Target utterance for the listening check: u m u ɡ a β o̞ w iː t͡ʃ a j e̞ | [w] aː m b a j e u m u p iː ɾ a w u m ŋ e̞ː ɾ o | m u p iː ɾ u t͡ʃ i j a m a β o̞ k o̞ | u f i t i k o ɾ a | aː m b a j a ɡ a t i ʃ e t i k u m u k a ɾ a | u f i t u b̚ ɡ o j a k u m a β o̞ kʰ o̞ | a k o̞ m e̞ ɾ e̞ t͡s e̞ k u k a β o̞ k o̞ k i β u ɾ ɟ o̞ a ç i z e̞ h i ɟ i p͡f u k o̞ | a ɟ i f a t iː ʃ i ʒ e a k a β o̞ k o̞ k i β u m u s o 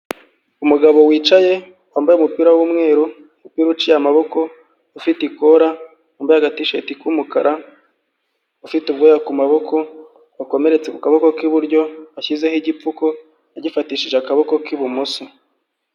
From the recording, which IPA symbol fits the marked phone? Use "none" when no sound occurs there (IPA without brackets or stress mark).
w